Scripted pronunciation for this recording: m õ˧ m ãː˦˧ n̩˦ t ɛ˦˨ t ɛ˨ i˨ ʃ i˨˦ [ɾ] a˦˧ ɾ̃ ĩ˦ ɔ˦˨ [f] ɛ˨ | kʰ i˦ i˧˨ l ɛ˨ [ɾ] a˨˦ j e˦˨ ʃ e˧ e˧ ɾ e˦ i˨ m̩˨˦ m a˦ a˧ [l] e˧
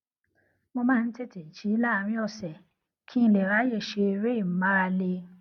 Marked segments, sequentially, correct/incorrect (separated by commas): incorrect, incorrect, correct, correct